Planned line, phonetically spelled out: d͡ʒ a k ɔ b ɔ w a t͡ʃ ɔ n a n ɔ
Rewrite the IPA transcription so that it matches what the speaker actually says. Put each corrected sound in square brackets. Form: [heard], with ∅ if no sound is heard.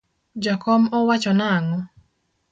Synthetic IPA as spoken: d͡ʒ a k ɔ [m] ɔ w a t͡ʃ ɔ n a [ŋ] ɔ

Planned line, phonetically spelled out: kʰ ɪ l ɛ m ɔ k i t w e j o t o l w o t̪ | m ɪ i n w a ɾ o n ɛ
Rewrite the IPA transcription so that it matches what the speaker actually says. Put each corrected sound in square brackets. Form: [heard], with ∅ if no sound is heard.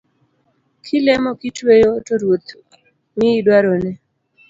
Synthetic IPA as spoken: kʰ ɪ l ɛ m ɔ k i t w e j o t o [ɾ] w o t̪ | m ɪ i [d] w a ɾ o n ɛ

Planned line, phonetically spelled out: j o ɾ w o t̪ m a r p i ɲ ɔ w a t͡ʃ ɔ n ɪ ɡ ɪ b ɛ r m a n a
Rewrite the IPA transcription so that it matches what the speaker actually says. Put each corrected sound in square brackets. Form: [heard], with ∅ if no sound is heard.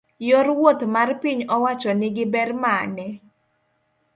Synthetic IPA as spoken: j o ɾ w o t̪ m a r p i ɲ ɔ w a t͡ʃ ɔ n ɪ ɡ ɪ b ɛ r m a n [ɛ]

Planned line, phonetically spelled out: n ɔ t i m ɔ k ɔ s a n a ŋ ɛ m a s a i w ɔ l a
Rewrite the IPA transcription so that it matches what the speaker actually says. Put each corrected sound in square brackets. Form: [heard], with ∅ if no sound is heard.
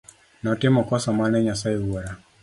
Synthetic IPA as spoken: n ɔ t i m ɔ k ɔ s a [m] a [n] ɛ [ɲ] a s a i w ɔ [ɾ] a

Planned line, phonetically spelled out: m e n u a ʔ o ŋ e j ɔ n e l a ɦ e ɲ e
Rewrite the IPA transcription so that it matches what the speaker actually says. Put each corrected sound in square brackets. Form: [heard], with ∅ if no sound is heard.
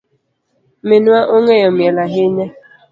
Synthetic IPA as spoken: m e n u a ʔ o ŋ e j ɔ [m] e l a ɦ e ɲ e

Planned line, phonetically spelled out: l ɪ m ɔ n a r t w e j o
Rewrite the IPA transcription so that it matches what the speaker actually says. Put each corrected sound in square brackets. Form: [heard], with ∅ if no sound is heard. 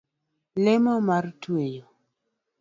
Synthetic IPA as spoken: l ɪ m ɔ [m] a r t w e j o

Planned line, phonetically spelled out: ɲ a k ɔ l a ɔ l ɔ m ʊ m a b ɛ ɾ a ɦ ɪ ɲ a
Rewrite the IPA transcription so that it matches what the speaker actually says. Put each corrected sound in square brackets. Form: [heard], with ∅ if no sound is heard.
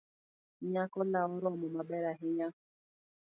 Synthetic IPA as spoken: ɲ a k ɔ l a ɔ [ɾ] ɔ m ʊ m a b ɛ ɾ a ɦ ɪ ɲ a

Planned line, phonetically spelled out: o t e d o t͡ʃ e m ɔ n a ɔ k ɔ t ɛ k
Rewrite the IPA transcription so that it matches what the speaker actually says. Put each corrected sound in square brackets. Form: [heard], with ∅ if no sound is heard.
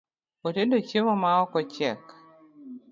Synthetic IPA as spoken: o t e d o t͡ʃ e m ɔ [m] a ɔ k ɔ [t͡ʃ] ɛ k

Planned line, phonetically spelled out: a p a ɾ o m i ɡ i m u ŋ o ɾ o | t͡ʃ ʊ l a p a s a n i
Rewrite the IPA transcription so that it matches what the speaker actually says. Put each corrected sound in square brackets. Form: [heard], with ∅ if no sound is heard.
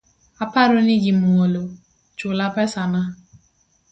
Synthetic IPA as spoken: a p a ɾ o [n] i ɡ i m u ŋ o [l] o | t͡ʃ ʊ l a p [ɛ] s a n [a]

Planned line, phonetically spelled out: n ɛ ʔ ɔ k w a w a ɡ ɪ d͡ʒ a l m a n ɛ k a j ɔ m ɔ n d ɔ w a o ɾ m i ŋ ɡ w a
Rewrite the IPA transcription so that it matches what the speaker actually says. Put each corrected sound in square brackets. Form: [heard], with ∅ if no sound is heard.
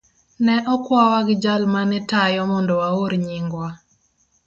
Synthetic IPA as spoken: n ɛ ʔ ɔ k w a w a ɡ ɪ d͡ʒ a l m a n ɛ [t] a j ɔ m ɔ n d ɔ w a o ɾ [ɲ] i ŋ ɡ w a

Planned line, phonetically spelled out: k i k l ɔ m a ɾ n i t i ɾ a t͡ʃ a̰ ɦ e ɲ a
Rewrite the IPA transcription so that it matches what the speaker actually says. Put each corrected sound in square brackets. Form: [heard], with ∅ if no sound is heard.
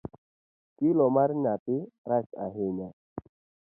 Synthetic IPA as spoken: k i [∅] l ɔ m a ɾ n [a] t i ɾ a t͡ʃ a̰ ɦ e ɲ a

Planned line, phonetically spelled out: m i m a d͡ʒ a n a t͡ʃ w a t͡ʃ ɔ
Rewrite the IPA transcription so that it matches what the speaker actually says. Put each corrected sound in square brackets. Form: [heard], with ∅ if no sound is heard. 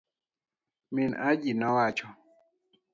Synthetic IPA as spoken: m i [n] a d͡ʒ [i] n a [∅] w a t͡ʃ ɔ

